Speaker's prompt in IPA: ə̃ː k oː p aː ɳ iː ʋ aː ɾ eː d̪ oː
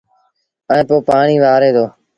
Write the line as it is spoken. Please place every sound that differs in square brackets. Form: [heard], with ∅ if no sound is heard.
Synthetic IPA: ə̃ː [p] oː p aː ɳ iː ʋ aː ɾ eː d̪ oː